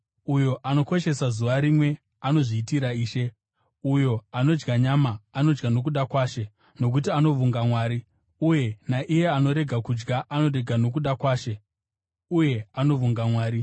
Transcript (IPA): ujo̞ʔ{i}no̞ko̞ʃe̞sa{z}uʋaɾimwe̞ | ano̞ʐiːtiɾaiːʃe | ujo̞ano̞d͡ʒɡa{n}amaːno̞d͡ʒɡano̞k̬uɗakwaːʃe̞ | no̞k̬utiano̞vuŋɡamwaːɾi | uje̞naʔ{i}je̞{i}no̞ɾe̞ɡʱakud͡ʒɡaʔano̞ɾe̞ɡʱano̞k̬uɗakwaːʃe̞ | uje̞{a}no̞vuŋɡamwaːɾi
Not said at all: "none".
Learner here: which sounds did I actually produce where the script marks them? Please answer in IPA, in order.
a, z, ɲ, i, a, a

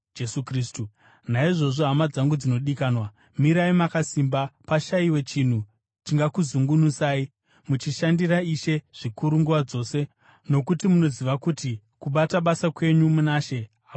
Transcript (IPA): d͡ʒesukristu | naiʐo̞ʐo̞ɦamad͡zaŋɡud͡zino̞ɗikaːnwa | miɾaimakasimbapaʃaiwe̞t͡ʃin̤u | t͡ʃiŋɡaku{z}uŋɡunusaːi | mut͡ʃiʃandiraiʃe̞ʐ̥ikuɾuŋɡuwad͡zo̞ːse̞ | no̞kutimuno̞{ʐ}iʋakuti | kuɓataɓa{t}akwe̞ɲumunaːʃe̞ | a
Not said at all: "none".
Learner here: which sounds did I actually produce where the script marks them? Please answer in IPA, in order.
z, z, s

